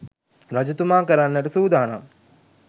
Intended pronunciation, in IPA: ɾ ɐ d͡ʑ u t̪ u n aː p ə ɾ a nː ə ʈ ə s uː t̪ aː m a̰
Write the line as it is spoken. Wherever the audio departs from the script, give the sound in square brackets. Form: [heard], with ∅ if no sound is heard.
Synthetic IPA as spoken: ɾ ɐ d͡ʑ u t̪ u [m] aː [k] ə ɾ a nː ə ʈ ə s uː [d̪] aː [n] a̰